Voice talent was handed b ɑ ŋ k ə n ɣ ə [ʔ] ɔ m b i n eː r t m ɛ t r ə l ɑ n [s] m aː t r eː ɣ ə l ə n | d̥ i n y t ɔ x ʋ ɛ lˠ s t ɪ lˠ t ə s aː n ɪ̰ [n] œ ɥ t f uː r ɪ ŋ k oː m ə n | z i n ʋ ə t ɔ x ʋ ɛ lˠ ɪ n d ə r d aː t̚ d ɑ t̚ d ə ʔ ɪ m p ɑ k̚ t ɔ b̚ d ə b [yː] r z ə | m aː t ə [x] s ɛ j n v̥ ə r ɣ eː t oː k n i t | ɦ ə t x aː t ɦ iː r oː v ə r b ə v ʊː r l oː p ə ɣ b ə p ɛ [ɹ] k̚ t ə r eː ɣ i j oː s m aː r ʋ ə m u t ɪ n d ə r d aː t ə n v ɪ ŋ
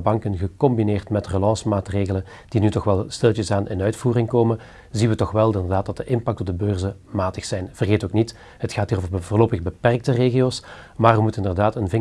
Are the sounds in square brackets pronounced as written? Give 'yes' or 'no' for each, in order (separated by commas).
no, yes, yes, no, yes, no